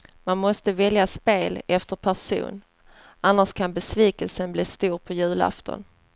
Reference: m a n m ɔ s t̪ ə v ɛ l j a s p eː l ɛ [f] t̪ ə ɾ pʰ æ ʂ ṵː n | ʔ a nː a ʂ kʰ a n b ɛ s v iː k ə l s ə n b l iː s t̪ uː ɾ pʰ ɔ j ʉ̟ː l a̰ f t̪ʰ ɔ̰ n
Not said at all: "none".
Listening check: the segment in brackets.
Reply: f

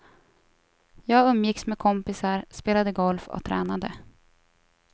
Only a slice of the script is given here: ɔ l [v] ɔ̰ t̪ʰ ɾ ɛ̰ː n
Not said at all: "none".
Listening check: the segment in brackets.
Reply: f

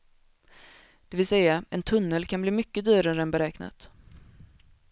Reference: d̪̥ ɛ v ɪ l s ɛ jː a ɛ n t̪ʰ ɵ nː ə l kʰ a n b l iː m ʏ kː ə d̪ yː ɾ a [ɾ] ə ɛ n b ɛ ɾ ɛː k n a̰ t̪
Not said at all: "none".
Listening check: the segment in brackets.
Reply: ɾ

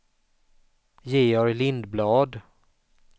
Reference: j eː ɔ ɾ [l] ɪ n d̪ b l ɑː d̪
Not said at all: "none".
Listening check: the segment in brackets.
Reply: l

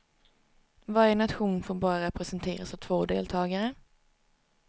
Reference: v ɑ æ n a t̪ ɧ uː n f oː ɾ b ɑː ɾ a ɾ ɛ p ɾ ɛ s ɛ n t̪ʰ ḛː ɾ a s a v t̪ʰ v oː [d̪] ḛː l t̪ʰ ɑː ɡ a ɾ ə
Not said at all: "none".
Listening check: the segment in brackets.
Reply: d̪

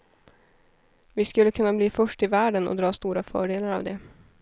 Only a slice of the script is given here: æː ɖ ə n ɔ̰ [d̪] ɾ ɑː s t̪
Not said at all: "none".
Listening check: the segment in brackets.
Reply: d̪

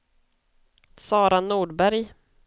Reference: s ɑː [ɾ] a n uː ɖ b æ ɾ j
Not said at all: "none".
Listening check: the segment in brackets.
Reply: ɾ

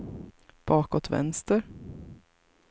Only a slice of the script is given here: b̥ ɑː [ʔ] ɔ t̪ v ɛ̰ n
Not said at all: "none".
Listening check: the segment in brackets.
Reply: k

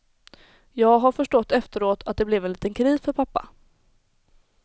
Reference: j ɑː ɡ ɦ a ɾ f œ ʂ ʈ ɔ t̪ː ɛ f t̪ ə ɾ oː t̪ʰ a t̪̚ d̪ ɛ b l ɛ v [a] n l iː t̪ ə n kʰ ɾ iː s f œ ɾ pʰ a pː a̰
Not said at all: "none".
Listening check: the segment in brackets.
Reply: ɛ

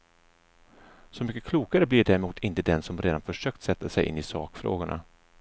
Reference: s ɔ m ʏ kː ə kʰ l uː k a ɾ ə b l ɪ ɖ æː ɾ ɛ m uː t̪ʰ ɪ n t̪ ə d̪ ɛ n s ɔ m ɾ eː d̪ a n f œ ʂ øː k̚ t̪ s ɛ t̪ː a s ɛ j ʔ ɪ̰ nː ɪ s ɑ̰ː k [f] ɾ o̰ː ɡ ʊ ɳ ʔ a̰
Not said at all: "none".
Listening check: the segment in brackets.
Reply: f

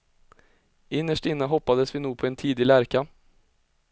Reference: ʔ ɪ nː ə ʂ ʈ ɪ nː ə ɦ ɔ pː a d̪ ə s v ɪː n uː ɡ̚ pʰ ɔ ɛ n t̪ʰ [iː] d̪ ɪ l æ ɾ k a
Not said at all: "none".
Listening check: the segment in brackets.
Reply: iː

